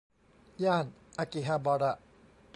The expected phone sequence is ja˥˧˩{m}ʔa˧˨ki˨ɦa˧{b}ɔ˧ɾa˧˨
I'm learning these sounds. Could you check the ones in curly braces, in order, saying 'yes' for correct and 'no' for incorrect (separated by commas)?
no, yes